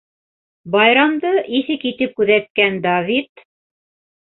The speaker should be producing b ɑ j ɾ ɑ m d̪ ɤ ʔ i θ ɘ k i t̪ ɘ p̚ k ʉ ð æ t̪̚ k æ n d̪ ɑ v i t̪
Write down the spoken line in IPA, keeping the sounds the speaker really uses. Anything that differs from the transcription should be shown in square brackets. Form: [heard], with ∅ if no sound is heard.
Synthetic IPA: b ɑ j ɾ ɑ m d̪ ɤ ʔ i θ ɘ k i t̪ ɘ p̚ k ʉ ð æ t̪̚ k æ n d̪ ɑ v i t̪